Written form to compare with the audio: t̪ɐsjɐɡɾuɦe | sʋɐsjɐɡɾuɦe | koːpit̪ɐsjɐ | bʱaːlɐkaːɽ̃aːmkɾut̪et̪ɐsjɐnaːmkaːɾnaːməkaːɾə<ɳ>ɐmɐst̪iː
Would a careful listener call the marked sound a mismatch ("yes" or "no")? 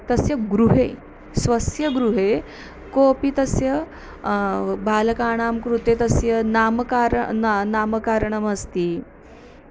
no